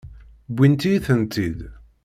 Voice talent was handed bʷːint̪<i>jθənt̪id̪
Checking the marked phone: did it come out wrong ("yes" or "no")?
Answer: no